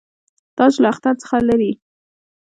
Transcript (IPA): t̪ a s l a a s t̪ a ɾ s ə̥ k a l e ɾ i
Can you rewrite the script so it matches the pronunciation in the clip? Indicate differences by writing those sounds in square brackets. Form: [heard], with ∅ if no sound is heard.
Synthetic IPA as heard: t̪ [ɑ] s l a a [x] t̪ a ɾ [t͡s] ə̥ [x] a l [a] ɾ i